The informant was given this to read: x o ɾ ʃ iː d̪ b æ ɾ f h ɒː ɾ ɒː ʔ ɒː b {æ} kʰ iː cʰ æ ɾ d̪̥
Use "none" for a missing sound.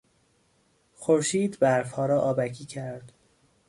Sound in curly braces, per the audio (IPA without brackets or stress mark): æ